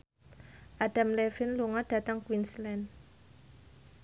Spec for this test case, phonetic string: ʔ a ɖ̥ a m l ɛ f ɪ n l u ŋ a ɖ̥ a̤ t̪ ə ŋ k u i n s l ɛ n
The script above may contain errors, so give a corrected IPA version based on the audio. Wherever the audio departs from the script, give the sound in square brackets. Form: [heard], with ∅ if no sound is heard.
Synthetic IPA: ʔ a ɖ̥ a m l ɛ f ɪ n l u ŋ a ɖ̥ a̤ t̪ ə ŋ k [w] i n s l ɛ n